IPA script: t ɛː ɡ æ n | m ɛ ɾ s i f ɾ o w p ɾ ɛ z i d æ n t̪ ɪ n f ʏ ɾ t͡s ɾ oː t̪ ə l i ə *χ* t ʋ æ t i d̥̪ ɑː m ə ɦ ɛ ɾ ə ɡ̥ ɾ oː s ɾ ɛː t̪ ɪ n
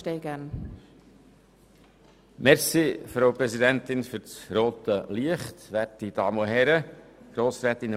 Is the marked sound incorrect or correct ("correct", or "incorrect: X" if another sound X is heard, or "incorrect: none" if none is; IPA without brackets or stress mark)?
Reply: correct